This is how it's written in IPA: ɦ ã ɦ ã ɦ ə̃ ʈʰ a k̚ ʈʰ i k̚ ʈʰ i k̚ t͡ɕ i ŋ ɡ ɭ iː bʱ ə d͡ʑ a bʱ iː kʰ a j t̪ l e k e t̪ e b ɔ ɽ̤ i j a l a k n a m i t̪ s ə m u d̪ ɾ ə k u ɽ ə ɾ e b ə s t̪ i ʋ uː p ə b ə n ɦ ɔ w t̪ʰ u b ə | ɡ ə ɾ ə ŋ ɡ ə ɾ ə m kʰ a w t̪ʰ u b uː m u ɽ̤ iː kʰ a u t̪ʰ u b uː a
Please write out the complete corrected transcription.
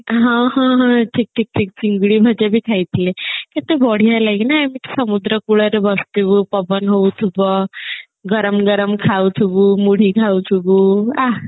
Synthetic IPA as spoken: ɦ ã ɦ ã ɦ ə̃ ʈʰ i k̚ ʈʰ i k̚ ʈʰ i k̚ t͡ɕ i ŋ ɡ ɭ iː bʱ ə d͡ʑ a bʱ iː kʰ a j t̪ l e k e t̪ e b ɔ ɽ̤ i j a l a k n a m i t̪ s ə m u d̪ ɾ ə k u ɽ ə ɾ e b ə s t̪ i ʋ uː p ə b ə n ɦ o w t̪ʰ u b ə | ɡ ə ɾ ə m ɡ ə ɾ ə m kʰ a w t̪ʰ u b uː m u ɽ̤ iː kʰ a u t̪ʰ u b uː a